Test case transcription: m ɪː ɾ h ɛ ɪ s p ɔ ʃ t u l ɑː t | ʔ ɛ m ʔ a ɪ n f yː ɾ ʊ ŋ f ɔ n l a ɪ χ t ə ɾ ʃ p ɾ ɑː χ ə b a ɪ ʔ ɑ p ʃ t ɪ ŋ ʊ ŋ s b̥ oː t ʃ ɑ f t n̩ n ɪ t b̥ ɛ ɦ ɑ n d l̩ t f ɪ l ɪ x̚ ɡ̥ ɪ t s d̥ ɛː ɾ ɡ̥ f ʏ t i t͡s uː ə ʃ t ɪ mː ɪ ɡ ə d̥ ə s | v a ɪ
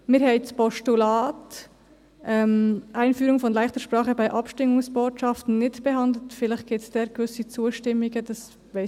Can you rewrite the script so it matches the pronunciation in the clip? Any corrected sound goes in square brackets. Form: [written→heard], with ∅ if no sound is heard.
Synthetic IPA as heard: m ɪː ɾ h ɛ ɪ s p ɔ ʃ t u l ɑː t | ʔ ɛ m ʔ a ɪ n f yː ɾ ʊ ŋ f ɔ n l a ɪ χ t ə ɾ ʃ p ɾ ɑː χ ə b a ɪ ʔ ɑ p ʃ t ɪ ŋ ʊ ŋ s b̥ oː t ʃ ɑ f t n̩ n ɪ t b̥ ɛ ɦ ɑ n d l̩ t f ɪ l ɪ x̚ ɡ̥ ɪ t s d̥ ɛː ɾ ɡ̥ [f→v] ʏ [t→s] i t͡s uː ə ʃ t ɪ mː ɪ ɡ ə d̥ [ə→ɑ] s | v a ɪ